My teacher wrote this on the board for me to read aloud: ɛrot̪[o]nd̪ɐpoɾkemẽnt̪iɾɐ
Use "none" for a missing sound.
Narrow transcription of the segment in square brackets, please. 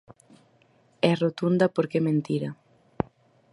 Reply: u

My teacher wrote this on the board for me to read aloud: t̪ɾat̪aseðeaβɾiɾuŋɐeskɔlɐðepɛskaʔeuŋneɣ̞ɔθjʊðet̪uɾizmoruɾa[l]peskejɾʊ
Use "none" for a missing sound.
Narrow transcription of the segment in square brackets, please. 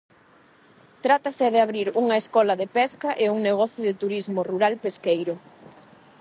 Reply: l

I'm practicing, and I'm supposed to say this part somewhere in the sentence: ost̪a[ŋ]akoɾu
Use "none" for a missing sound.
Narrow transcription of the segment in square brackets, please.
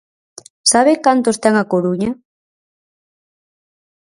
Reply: ŋ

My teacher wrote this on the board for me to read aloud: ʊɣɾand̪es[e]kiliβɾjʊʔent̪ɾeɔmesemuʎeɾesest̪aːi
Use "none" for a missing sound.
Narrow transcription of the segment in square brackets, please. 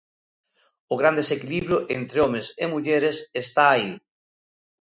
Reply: e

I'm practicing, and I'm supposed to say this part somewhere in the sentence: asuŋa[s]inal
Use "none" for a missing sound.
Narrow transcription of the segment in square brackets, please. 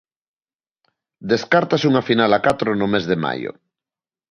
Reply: f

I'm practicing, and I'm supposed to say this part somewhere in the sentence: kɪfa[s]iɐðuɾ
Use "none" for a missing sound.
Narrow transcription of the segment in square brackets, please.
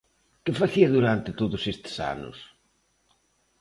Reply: θ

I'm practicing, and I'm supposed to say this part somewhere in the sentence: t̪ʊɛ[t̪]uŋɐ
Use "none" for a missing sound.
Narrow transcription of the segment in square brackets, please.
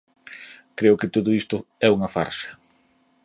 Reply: none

